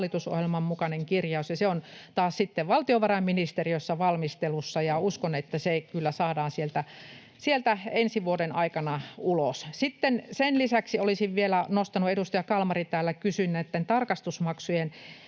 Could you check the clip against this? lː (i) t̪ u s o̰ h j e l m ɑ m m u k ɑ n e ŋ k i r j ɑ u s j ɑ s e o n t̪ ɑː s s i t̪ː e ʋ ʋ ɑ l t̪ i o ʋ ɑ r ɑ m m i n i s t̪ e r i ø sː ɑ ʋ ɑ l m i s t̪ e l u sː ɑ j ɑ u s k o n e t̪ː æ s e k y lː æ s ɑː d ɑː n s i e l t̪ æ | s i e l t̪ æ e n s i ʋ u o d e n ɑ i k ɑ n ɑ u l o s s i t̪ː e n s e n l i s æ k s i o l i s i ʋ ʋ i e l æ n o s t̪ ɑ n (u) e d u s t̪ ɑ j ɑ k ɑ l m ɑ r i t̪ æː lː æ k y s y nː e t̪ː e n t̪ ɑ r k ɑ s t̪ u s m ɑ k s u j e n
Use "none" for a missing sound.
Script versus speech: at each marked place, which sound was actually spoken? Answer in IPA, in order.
i, u

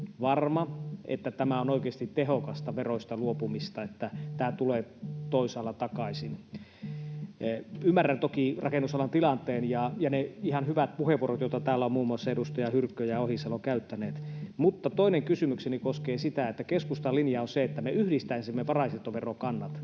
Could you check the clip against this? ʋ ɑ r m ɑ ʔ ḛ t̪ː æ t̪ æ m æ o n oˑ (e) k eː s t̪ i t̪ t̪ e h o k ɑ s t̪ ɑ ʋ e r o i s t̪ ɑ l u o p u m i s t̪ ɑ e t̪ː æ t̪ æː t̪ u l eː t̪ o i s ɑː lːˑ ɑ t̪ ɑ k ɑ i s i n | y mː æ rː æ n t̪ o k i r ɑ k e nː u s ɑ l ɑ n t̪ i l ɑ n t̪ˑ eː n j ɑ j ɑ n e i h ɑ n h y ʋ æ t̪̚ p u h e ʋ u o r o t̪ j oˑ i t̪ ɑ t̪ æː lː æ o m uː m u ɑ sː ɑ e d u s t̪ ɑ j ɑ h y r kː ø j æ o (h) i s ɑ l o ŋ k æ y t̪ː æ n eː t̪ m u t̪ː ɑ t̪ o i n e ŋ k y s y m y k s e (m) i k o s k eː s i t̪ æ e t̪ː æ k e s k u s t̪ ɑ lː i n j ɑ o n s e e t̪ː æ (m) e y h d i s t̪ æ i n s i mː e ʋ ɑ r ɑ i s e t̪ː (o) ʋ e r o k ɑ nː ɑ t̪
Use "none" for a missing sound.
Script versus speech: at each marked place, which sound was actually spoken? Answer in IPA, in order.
i, h, n, m, o

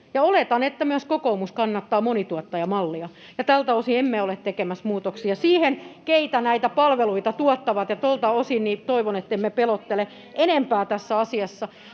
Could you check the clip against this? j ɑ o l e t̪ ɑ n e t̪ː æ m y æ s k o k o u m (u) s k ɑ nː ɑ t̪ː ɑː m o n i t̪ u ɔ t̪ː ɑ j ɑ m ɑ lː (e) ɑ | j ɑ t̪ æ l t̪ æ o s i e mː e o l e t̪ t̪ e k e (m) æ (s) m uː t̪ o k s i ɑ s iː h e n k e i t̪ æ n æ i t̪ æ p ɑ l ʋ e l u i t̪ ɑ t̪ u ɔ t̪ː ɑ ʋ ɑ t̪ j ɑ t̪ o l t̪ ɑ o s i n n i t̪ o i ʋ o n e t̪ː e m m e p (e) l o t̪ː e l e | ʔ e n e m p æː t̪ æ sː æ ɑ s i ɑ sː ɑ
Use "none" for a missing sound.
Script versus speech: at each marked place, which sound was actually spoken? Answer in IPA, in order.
u, i, m, s, e

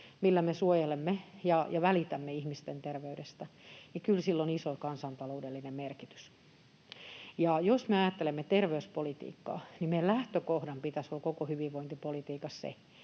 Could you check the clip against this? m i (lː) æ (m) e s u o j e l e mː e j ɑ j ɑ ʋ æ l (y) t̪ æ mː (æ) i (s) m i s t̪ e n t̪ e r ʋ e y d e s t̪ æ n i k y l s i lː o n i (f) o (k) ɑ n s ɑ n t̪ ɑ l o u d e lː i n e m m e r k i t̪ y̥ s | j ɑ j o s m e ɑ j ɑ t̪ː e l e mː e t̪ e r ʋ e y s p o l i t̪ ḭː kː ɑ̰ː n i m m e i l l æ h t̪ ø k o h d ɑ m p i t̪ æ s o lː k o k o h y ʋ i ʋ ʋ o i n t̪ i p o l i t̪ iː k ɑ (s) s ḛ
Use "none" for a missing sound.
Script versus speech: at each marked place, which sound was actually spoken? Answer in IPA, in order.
lː, m, i, e, h, s, k, s

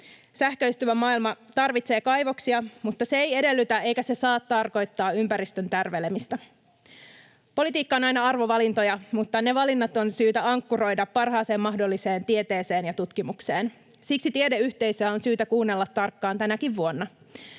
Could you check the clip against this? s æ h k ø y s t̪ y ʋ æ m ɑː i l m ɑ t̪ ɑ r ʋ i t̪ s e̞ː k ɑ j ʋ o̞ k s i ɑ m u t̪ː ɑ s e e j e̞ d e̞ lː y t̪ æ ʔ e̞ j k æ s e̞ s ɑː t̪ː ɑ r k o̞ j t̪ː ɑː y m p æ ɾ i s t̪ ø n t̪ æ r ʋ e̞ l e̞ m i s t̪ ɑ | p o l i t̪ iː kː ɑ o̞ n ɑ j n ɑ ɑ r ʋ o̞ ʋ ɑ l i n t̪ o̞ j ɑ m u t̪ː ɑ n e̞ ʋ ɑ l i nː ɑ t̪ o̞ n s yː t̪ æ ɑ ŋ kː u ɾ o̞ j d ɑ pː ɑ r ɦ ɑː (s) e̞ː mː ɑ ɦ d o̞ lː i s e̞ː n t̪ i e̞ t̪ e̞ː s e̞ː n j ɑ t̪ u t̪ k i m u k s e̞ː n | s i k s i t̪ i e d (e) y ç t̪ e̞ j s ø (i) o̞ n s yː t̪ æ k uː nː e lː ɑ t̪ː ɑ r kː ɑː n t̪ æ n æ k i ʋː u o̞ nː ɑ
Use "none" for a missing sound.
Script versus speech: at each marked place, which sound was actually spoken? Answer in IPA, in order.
s, e, æ

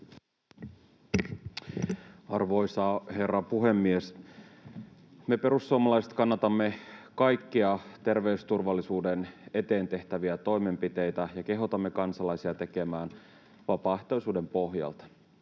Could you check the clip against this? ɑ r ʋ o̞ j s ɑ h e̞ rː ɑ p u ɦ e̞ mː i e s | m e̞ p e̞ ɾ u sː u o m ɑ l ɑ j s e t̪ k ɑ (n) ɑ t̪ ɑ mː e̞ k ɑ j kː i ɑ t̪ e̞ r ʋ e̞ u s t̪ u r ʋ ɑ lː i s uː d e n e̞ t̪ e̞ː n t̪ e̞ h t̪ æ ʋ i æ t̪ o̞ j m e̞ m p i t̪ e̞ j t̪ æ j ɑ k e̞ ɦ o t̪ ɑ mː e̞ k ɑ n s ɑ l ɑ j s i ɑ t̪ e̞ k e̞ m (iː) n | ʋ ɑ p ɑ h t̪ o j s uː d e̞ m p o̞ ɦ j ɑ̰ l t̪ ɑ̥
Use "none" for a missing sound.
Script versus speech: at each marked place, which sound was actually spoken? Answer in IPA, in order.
nː, æː

